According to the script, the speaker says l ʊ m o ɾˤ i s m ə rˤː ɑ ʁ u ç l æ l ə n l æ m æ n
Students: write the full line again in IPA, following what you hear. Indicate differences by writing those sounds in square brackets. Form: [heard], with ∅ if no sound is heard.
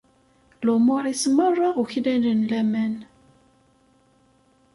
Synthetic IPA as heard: l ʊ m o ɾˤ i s m ə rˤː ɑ ʁ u ç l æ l ə n l æ m æ n